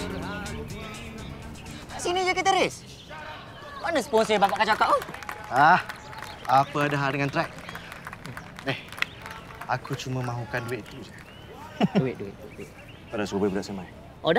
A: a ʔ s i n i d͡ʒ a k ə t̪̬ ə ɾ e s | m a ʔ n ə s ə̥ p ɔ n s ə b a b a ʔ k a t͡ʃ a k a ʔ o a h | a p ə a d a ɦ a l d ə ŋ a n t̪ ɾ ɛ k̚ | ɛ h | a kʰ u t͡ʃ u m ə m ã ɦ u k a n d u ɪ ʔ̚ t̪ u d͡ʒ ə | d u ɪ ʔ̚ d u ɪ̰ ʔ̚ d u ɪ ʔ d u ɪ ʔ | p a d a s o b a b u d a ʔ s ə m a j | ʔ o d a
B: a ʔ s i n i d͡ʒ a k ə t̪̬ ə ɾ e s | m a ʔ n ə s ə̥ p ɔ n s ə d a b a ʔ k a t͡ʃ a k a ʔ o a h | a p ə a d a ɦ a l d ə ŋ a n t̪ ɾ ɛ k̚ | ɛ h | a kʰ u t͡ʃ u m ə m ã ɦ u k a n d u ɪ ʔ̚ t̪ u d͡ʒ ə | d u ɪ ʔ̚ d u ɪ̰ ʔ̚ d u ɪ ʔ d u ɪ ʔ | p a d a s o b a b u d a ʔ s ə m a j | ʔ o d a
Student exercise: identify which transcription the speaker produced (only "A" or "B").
A